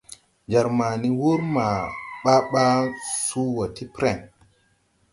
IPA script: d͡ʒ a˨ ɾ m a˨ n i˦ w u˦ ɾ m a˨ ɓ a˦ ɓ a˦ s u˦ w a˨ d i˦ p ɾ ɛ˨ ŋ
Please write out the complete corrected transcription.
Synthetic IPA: d͡ʒ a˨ ɾ m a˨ n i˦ w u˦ ɾ m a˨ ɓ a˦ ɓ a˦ s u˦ w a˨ t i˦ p ɾ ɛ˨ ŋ